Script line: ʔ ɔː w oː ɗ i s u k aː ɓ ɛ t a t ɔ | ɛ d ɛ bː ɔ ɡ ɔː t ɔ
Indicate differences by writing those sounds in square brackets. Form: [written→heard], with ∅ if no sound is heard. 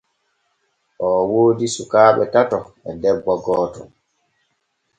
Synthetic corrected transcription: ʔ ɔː w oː [ɗ→d] i s u k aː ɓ ɛ t a t ɔ | ɛ d ɛ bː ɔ ɡ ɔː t ɔ

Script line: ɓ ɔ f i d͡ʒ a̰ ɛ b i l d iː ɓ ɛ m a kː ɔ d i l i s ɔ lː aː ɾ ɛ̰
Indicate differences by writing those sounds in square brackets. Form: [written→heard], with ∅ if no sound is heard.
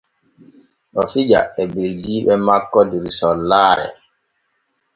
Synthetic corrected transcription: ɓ ɔ f i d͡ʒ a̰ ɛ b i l d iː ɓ ɛ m a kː ɔ d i [l→ɾ] i s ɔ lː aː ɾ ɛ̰

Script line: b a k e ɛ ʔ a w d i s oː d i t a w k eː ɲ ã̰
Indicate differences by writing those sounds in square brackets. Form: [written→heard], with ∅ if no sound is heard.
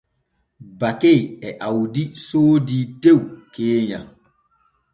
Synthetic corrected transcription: b a k e ɛ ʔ a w d i s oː d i t [a→e] w k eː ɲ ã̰

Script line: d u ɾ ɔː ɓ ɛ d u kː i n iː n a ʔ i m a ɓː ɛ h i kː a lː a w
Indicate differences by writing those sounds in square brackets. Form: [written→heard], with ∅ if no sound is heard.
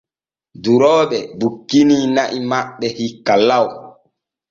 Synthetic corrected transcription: d u ɾ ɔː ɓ ɛ [d→b] u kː i n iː n a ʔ i m a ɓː ɛ h i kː a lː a w

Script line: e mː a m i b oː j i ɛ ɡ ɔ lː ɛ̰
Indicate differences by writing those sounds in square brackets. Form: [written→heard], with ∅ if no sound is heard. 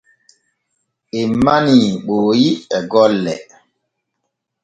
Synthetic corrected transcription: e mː a [m→n] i [b→ɓ] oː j i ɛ ɡ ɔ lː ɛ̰

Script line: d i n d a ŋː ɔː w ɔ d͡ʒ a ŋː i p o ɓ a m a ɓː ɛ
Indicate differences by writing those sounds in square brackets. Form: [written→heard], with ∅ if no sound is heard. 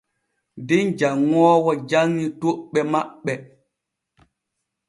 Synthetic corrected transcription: d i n [d→d͡ʒ] a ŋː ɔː w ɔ d͡ʒ a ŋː i [p→t] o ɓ [a→ɛ] m a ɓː ɛ

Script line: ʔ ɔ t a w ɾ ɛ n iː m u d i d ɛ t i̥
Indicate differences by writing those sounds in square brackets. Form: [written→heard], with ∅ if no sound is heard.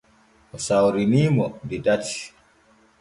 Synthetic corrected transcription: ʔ ɔ [t→s] a w ɾ [ɛ→i] n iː m [u→ɔ] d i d [ɛ→a] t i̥

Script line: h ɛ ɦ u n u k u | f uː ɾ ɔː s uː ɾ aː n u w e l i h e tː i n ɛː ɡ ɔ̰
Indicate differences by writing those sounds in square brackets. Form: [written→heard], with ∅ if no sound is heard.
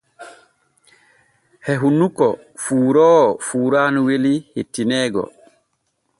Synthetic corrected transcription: h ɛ ɦ u n u k [u→ɔ] | f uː ɾ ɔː [s→f] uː ɾ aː n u w e l i h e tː i n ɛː ɡ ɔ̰

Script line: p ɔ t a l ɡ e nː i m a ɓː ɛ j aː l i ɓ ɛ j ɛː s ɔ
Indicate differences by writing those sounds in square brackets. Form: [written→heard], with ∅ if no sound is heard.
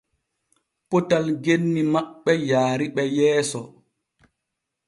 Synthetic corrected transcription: p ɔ t a l ɡ e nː i m a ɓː ɛ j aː [l→ɾ] i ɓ ɛ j ɛː s ɔ

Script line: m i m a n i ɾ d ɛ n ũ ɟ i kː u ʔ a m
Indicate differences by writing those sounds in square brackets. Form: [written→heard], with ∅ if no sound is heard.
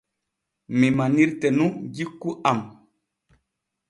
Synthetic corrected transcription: m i m a n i ɾ [d→t] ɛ n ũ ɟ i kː u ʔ a m

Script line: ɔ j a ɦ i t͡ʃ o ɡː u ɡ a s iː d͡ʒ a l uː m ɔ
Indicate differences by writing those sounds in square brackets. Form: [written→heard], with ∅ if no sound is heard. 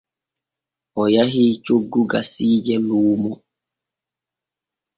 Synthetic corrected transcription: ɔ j a ɦ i t͡ʃ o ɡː u ɡ a s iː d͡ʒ [a→ɛ] l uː m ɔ

